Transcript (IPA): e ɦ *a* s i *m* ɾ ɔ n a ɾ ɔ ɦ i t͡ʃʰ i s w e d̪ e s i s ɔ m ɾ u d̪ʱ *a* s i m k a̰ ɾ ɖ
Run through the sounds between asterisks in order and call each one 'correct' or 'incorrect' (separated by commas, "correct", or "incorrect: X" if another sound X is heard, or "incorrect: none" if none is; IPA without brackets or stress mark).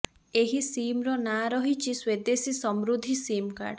incorrect: i, correct, incorrect: i